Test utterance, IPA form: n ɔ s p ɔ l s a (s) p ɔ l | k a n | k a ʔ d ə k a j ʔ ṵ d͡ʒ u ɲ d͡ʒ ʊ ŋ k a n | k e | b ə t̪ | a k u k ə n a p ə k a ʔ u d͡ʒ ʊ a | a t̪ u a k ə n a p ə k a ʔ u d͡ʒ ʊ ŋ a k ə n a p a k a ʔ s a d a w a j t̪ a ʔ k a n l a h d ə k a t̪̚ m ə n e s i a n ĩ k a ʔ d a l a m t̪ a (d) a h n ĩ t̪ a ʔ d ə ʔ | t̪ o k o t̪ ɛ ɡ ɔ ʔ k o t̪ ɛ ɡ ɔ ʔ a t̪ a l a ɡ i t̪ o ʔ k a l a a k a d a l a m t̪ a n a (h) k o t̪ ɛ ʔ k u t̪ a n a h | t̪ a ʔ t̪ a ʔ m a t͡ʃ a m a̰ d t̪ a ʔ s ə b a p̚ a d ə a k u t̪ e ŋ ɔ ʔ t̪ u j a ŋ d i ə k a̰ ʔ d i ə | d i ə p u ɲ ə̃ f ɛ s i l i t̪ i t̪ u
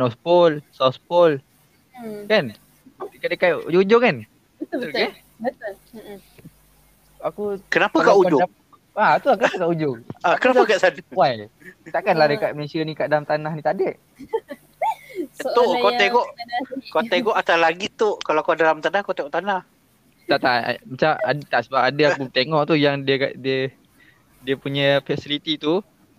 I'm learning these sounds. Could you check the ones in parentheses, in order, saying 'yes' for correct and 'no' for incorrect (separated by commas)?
yes, no, yes